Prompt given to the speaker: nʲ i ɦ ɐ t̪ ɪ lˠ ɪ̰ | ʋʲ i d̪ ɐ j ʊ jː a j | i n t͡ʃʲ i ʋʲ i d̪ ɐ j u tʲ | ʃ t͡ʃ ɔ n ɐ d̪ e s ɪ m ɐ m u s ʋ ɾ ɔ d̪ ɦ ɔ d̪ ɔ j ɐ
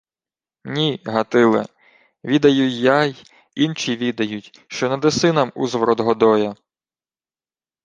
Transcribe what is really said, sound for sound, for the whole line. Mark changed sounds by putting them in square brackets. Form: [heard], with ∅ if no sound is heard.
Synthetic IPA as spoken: nʲ i ɦ ɐ t̪ ɪ lˠ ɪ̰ | ʋʲ i d̪ ɐ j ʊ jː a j | i n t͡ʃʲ i ʋʲ i d̪ ɐ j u tʲ | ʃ t͡ʃ ɔ n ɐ d̪ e s ɪ [n] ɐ m u [z] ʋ ɾ ɔ d̪ ɦ ɔ d̪ ɔ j ɐ